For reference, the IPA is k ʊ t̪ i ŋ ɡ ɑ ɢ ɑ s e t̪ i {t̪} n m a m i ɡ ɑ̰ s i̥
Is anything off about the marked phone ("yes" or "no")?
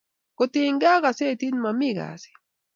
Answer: yes